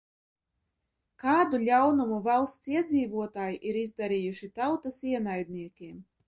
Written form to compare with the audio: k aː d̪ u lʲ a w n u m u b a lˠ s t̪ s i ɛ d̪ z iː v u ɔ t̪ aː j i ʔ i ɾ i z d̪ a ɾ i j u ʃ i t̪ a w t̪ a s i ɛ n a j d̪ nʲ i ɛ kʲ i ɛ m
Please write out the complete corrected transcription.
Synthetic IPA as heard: k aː d̪ u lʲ a w n u m u v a lˠ s t̪ s i ɛ d̪ z iː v u ɔ t̪ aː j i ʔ i ɾ i z d̪ a ɾ i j u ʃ i t̪ a w t̪ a s i ɛ n a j d̪ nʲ i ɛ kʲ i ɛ m